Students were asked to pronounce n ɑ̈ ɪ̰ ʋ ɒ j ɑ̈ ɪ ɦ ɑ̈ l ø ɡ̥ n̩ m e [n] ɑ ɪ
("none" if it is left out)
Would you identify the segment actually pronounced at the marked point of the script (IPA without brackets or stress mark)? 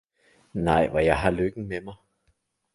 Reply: m